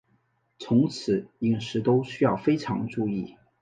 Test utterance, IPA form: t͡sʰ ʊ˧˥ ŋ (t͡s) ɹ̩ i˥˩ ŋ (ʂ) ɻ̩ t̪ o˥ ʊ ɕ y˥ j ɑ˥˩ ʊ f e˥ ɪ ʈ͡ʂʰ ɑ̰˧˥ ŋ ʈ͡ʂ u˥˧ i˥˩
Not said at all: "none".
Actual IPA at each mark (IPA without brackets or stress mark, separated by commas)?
t͡sʰ, ʂ